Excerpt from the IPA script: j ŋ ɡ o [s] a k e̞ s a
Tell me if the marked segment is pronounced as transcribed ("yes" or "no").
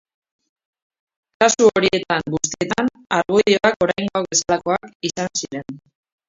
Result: no